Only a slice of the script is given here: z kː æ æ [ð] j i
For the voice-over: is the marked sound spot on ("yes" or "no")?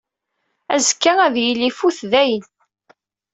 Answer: yes